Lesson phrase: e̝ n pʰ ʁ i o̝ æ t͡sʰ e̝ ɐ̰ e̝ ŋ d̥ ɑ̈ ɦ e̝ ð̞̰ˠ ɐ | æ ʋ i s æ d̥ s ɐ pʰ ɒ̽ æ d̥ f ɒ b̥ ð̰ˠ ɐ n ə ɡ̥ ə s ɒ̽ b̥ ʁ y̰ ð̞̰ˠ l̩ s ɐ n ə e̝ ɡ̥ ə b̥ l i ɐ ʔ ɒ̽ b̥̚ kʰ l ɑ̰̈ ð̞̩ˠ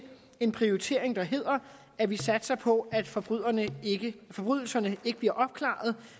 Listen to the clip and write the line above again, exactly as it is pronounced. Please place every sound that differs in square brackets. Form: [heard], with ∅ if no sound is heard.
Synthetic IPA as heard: e̝ n pʰ ʁ i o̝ [i] t͡sʰ e̝ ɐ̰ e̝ ŋ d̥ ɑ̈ ɦ e̝ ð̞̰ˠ ɐ | æ ʋ i s æ d̥ s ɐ pʰ ɒ̽ æ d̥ f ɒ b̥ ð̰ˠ ɐ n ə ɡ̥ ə [f] ɒ̽ b̥ ʁ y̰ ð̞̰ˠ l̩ s ɐ n ə e̝ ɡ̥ ə b̥ l i ɐ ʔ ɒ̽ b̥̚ kʰ l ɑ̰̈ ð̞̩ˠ